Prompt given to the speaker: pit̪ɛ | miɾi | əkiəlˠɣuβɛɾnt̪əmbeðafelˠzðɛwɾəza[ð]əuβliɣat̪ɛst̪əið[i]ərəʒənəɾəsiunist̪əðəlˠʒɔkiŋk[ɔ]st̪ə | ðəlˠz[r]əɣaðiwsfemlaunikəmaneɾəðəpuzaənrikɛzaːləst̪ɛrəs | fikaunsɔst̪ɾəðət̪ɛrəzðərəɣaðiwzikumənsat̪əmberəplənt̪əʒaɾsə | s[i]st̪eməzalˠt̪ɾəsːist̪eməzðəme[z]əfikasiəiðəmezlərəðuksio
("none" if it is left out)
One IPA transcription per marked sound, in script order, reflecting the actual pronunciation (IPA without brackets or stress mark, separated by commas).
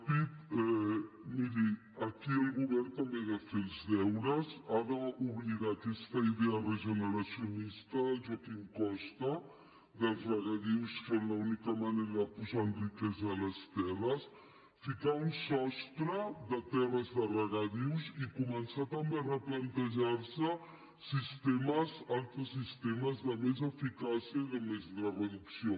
ð, e, ɔ, r, i, z